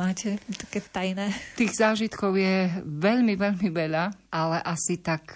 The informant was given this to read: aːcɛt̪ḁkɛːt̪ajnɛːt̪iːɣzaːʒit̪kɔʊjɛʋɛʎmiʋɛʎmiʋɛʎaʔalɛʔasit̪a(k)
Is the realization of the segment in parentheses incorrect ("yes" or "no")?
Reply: no